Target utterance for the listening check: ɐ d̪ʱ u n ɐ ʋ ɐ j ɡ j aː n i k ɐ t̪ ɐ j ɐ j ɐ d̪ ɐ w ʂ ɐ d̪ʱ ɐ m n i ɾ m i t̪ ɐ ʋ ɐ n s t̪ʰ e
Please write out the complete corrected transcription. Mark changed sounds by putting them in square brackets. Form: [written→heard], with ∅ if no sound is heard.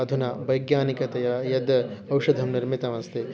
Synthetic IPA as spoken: ɐ d̪ʱ u n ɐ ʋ ɐ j ɡ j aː n i k ɐ t̪ ɐ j ɐ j ɐ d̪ ɐ w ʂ ɐ d̪ʱ ɐ m n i ɾ m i t̪ ɐ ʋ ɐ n s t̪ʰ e